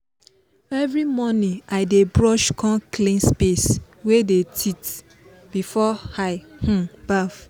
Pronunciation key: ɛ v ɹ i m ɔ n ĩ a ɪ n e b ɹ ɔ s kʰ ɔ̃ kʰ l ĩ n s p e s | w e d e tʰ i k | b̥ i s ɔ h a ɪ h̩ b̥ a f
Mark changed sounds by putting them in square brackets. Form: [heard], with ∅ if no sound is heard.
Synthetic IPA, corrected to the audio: ɛ v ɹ i m ɔ n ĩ a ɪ [d] e b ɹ ɔ [ʃ] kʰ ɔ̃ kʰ l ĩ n s p e s | w e d e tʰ i [t] | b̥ i [f] ɔ h a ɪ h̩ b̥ a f